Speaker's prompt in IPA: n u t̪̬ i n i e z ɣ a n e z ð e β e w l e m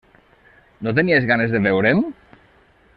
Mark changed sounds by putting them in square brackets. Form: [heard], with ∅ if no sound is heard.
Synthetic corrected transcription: n [o] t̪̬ [e] n i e z ɣ a n e z ð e β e w [ɾ] e m